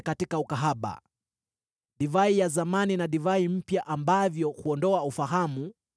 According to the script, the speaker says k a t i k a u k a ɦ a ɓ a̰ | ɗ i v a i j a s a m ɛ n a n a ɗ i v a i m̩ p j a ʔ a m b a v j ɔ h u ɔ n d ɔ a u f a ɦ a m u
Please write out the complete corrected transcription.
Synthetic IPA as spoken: k a t i k a u k a ɦ a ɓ a̰ | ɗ i v a i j a z a m a n i n a ɗ i v a i m̩ p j a ʔ a m b a v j ɔ h u ɔ n d ɔ a u f a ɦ a m u